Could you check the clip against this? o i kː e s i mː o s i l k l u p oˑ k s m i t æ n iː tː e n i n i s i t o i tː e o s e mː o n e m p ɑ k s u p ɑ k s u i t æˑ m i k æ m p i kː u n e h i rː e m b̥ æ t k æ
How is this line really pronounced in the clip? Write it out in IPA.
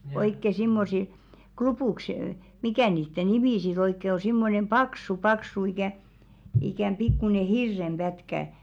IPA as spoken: o i kː e s i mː o s i l k l u p uˑ k s m i k æ n iː tː e n i m i s i t o i kː e o s i mː o n e m p ɑ k s u p ɑ k s u i k æˑ i k æ m p i kː u n e h i rː e m b̥ æ t k æ